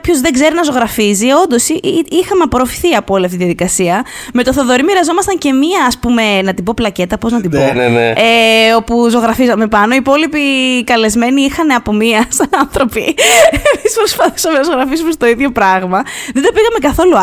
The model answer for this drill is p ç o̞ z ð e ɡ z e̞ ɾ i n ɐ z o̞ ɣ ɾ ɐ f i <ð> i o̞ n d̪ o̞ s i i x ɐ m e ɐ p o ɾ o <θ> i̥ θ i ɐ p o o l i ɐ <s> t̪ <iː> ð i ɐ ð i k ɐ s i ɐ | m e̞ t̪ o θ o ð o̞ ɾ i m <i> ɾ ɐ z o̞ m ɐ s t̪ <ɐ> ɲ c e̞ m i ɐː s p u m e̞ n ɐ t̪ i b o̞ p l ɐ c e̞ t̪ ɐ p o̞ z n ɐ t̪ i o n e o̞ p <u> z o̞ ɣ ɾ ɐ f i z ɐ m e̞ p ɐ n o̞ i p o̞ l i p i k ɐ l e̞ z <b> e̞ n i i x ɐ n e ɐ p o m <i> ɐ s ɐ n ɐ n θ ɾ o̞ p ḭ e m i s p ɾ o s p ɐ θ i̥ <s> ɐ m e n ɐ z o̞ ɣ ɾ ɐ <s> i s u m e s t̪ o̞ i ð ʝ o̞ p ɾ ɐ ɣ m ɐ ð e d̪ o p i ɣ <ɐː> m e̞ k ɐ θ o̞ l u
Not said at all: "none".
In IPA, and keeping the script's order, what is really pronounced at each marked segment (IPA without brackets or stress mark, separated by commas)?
z, f, f, i, i, ɐ, u, m, i, s, f, ɐ